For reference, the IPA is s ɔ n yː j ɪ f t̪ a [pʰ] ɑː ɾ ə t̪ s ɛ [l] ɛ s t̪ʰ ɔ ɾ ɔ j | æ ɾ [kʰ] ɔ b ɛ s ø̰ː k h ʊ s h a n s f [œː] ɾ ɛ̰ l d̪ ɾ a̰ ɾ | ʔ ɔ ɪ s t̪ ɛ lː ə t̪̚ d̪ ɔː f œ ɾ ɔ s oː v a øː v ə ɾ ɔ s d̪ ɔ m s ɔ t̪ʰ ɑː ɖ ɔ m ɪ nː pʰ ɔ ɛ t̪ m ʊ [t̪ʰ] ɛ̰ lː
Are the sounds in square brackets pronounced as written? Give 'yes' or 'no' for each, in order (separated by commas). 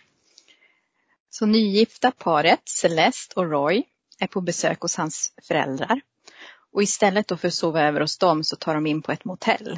yes, yes, no, no, yes